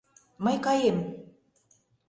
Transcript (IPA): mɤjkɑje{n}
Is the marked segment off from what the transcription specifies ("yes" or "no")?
yes